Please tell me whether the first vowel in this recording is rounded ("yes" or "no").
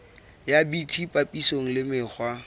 no